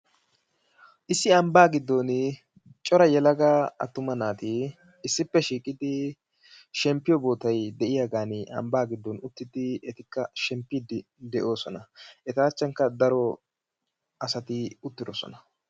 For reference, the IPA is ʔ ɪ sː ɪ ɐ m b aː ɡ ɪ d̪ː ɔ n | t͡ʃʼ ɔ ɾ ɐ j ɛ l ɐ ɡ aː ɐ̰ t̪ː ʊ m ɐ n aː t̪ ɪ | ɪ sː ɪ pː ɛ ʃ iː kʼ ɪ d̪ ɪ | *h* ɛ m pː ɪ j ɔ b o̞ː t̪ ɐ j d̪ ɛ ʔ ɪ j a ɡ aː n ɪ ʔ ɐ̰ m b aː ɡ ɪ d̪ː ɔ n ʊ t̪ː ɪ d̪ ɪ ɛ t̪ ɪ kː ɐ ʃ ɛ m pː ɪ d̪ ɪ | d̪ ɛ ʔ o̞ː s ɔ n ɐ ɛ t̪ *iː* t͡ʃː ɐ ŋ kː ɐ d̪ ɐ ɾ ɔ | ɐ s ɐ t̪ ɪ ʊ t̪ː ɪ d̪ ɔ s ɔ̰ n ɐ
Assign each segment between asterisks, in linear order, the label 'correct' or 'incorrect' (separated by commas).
incorrect, incorrect